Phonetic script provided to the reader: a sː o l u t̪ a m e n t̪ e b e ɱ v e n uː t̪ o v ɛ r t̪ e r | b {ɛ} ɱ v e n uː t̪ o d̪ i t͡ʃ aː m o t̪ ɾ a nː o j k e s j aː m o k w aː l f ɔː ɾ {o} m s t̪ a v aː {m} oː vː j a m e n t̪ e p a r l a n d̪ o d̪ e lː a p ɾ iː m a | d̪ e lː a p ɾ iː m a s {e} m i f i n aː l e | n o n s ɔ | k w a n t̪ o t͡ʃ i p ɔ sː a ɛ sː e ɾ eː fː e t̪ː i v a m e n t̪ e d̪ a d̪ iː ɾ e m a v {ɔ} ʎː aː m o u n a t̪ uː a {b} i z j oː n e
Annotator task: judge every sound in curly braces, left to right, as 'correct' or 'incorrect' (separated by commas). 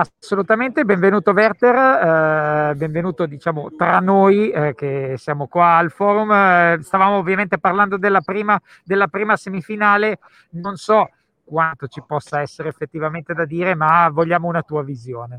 incorrect, incorrect, correct, correct, incorrect, incorrect